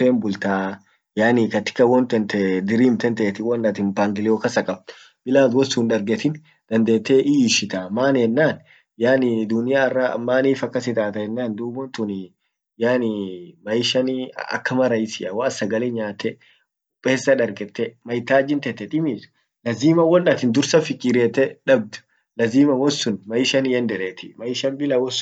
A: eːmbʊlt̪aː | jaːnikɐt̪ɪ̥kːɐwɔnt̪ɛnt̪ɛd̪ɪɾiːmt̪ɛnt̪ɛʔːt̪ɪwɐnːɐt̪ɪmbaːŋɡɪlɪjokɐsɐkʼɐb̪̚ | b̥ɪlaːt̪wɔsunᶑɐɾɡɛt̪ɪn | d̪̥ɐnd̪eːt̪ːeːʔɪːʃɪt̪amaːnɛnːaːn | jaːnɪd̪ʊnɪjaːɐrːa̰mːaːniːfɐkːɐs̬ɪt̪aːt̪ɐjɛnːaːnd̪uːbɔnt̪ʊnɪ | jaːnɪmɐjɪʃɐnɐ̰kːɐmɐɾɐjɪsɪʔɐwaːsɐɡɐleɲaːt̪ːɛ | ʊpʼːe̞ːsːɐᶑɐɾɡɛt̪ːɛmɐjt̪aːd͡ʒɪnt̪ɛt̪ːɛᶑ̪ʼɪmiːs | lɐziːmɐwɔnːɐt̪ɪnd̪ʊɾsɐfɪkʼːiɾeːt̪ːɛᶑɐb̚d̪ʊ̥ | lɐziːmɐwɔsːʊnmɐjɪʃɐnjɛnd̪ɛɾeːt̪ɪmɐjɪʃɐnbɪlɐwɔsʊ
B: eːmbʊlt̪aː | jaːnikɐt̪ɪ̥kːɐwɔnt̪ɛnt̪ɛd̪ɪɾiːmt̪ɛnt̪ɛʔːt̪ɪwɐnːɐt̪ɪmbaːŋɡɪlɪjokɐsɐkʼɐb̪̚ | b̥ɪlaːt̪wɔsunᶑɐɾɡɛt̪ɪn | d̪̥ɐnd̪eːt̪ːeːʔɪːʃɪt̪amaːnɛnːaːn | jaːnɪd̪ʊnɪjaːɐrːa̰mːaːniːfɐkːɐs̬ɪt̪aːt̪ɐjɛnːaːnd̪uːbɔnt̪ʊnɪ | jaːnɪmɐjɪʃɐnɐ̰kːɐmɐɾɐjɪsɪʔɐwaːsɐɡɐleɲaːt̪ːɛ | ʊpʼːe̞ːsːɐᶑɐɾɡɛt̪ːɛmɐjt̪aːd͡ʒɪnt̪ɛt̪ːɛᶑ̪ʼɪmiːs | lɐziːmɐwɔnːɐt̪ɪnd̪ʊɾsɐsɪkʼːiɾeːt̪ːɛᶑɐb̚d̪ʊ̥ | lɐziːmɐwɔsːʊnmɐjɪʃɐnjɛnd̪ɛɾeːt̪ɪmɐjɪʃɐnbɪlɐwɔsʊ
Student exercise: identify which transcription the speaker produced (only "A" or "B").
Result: A